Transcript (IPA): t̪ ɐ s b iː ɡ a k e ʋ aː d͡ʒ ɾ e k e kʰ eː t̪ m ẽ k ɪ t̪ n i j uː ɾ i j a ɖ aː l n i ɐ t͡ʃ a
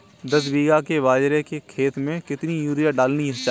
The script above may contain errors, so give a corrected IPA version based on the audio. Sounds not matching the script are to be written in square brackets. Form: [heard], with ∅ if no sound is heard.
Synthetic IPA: [d̪] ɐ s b iː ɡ a k e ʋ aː d͡ʒ ɾ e k e kʰ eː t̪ m ẽ k ɪ t̪ n i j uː ɾ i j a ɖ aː l n i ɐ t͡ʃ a